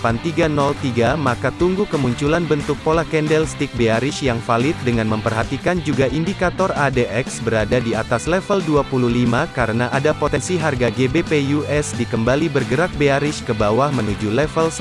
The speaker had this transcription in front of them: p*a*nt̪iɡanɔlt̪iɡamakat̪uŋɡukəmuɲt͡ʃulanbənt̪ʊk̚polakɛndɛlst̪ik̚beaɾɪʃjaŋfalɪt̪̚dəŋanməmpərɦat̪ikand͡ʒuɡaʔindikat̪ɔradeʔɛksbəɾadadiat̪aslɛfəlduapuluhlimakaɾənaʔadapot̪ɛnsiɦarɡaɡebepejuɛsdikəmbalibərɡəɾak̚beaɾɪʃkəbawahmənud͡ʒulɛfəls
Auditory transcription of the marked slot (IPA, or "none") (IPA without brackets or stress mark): a